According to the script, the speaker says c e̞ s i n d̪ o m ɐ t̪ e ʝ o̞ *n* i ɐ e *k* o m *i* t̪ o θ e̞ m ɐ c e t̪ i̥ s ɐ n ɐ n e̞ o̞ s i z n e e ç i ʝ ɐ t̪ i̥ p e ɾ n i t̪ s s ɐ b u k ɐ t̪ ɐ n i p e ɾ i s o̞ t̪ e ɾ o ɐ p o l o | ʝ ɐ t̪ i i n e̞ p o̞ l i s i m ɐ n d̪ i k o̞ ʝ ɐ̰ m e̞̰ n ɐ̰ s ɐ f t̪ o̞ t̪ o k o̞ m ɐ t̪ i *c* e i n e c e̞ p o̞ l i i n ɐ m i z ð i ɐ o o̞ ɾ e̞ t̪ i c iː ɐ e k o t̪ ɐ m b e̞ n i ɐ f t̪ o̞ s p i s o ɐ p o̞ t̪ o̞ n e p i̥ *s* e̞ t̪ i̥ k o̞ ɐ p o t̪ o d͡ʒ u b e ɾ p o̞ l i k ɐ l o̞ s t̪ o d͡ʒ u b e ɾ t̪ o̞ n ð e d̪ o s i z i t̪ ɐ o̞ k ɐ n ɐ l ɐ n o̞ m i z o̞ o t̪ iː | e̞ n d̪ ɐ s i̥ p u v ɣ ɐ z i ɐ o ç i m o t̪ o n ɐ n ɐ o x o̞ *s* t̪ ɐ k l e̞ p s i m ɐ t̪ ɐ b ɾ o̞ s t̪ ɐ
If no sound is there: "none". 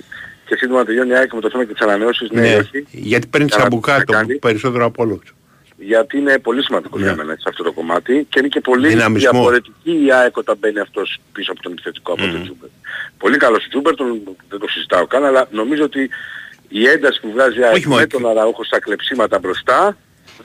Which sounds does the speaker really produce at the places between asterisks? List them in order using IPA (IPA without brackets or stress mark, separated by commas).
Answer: n, k, e, c, θ, s